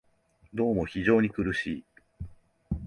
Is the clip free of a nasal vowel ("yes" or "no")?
yes